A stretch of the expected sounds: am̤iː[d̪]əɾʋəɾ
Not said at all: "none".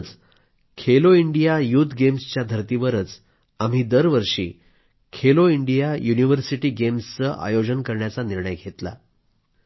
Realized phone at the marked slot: d̪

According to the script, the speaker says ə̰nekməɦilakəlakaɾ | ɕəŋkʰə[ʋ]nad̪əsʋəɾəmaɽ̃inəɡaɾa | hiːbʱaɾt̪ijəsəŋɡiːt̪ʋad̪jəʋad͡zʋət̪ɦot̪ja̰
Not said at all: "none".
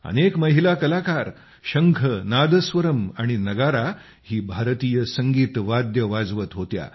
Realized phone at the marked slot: none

